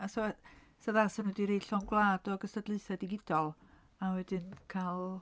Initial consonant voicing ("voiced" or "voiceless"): voiceless